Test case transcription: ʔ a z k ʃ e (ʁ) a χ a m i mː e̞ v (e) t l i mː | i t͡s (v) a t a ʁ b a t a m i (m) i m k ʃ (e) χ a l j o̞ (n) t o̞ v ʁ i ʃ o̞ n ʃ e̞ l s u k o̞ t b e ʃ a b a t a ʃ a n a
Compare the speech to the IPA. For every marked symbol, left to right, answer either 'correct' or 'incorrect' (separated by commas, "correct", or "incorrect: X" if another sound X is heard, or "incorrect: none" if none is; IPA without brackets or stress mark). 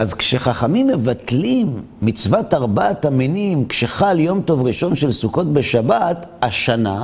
incorrect: χ, incorrect: a, correct, incorrect: n, correct, incorrect: m